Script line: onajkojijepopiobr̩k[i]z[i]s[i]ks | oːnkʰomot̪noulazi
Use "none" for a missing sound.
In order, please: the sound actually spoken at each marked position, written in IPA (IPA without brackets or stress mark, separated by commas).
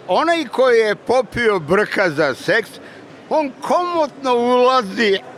a, a, e